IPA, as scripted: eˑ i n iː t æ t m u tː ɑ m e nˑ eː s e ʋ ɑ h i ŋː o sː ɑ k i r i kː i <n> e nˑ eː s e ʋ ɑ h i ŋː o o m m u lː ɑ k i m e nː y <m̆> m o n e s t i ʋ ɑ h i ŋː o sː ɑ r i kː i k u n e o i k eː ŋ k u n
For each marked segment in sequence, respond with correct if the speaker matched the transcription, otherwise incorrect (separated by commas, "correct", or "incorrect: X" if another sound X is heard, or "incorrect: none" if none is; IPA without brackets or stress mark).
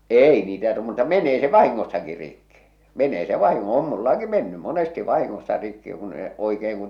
incorrect: m, correct